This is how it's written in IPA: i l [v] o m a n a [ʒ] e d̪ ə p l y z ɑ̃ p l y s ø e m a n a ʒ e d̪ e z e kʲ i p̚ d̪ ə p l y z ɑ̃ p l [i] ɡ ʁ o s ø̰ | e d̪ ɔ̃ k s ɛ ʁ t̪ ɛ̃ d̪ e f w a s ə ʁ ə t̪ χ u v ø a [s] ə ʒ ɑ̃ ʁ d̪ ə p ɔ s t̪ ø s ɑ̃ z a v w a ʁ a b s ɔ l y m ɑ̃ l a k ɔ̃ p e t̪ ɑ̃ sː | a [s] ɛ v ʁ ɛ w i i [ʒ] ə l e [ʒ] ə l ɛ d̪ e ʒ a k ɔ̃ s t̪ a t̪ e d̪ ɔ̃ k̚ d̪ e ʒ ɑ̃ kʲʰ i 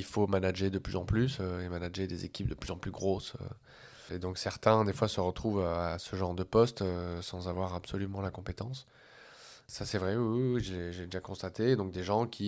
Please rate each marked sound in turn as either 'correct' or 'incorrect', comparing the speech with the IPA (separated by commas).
incorrect, correct, incorrect, correct, correct, correct, correct